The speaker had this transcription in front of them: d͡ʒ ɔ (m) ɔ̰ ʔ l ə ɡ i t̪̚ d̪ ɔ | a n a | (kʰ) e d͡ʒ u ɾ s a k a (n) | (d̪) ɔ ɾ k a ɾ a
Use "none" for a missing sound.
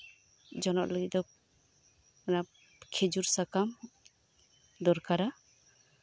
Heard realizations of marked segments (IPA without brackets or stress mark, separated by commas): n, kʰ, m, d̪